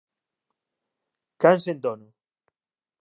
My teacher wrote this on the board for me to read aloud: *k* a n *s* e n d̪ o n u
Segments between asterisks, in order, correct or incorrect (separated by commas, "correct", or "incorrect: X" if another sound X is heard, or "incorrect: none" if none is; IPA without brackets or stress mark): correct, correct